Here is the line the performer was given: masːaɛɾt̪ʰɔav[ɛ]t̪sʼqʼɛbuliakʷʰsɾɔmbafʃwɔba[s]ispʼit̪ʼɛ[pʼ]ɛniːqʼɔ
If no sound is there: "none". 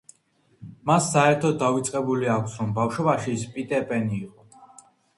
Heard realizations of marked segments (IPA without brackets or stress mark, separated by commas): i, ʃ, pʼ